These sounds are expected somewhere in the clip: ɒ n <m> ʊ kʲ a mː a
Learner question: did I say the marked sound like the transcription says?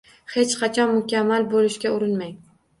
yes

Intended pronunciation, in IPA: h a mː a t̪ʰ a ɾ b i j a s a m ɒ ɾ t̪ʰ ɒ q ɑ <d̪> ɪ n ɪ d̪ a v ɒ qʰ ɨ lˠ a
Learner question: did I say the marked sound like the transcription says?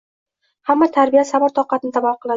no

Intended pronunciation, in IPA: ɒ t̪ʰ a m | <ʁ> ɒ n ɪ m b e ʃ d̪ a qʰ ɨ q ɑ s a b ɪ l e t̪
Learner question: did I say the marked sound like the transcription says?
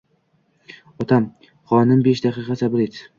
no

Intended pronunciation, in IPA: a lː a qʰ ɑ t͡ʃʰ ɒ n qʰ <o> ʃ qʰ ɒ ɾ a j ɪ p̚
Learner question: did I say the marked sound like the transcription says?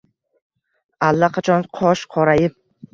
no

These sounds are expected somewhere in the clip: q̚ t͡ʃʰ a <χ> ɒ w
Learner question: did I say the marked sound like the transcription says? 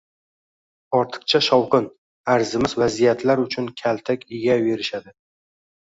no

